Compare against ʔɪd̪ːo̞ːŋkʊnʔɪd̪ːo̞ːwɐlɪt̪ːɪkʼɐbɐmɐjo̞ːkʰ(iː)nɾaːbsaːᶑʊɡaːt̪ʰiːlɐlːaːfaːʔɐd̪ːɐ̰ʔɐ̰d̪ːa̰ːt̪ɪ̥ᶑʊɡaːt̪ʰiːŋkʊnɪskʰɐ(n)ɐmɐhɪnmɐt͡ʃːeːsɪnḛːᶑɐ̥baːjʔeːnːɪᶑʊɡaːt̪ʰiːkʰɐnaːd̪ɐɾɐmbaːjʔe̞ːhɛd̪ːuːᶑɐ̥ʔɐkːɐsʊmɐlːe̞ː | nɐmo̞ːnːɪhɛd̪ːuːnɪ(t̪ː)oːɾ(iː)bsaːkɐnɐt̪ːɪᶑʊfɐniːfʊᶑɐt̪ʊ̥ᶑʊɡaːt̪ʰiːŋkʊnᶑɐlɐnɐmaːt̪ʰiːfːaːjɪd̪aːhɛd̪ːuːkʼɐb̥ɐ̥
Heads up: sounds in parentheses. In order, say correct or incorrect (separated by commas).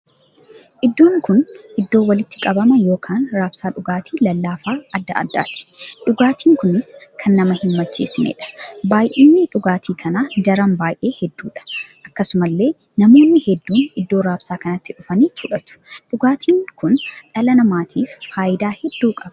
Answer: incorrect, incorrect, incorrect, incorrect